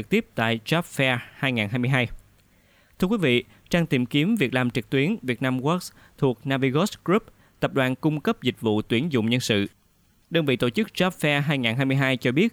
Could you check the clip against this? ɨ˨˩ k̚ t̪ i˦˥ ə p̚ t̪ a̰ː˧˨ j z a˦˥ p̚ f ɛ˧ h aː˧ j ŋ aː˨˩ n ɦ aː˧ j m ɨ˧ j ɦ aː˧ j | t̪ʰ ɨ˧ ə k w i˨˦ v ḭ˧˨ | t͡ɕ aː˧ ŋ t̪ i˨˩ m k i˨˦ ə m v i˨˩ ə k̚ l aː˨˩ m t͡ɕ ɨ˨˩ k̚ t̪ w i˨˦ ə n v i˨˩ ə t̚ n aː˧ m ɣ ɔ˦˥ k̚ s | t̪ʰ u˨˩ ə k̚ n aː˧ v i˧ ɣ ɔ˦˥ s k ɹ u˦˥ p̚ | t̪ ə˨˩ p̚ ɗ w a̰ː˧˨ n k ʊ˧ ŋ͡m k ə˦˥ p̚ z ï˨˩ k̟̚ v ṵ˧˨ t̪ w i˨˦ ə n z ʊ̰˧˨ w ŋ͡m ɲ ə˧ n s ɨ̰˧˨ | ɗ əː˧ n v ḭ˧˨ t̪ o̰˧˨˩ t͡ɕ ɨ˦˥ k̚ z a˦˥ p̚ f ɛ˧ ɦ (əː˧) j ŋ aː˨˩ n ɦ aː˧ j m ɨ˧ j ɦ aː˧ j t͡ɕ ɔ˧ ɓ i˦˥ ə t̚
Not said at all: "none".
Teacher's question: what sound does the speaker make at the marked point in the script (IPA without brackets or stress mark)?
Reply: aː˧